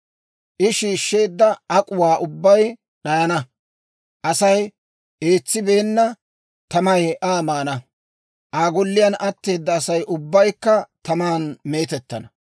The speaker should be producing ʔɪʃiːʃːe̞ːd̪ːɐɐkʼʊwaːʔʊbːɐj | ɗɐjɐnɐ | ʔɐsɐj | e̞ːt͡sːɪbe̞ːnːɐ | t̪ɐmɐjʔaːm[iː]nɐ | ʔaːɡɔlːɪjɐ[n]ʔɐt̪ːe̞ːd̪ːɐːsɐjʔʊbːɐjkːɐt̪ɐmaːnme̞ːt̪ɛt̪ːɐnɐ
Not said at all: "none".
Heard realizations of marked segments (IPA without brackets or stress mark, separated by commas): aː, n